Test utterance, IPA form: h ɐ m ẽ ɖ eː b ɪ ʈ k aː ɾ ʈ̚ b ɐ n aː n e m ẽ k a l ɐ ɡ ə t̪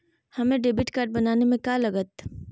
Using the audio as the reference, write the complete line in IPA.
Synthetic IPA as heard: h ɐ m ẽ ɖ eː b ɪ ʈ k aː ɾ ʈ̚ b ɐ n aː n e m ẽ k a l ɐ ɡ ə t̪